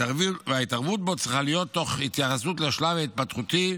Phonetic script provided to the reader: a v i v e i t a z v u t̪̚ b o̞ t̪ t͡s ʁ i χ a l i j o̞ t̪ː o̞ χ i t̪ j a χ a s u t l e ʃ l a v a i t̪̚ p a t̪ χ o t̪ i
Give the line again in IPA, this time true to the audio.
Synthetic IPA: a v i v a i t a ʁ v u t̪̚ b o̞ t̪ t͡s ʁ i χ a l i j o̞ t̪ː o̞ χ i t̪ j a χ a s u t l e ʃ l a v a i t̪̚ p a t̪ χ u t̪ i

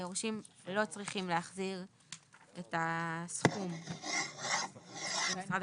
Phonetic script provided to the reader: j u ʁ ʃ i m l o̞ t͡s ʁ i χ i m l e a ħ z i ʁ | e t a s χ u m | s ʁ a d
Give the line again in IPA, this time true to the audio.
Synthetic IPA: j o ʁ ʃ i m l o̞ t͡s ʁ i χ i m l e a χ z i ʁ | e t a s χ u m | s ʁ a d

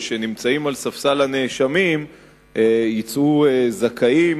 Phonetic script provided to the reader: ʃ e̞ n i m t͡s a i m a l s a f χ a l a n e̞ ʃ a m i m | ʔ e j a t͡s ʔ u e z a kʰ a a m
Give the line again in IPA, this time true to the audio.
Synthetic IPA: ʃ e̞ n i m t͡s a i m a l s a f s a l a n e̞ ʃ a m i m | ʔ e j i t͡s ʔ u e z a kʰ a i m

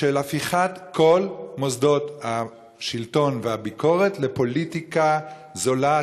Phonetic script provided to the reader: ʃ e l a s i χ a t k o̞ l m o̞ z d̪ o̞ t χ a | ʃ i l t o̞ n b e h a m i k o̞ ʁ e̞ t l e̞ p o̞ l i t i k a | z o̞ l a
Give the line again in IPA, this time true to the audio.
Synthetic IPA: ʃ e l a f i χ a t k o̞ l m o̞ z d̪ o̞ t h a | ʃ i l t o̞ n v e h a b i k o̞ ʁ e̞ t l e̞ p o̞ l i t i k a | z o̞ l a

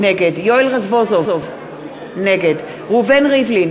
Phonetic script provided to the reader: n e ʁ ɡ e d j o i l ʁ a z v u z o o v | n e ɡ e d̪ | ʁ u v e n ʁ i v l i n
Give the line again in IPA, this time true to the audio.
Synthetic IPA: n e ɡ e d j o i l ʁ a z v o z o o v | n e ɡ e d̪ | ʁ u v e n ʁ i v l i n

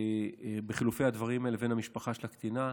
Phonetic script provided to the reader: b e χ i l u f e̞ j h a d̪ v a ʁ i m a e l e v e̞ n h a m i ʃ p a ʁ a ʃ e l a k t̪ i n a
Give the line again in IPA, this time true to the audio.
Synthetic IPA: b e χ i l u f e̞ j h a d̪ v a ʁ i m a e l e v e̞ n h a m i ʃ p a χ a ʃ e l a k t̪ i n a

